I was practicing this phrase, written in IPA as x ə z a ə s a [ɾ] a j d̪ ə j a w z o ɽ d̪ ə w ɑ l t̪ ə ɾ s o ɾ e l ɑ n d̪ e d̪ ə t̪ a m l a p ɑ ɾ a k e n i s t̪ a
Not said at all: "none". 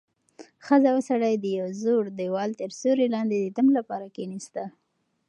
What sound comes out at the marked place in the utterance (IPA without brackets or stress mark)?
ɽ